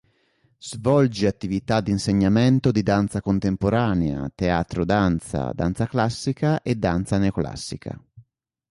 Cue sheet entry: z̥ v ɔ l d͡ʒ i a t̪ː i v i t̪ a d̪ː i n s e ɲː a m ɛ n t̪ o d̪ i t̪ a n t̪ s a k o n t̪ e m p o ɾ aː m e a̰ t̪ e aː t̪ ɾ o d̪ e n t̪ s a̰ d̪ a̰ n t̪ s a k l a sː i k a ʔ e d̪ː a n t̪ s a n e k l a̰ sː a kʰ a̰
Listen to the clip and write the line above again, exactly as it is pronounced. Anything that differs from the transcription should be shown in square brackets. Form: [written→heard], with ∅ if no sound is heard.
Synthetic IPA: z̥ v ɔ l d͡ʒ i a t̪ː i v i t̪ a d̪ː i n s e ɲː a m ɛ n t̪ o d̪ i [t̪→d̪] a n t̪ s a k o n t̪ e m p o ɾ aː [m→n] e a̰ t̪ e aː t̪ ɾ o d̪ [e→a] n t̪ s a̰ d̪ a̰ n t̪ s a k l a sː i k a ʔ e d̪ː a n t̪ s a n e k l a̰ sː [a→i] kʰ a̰